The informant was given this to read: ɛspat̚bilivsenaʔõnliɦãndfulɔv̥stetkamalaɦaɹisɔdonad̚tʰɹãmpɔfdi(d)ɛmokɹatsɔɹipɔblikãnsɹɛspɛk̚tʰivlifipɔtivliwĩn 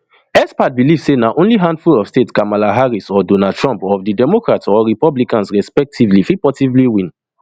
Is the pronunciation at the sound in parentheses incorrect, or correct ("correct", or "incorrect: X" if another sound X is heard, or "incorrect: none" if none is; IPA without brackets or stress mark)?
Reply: correct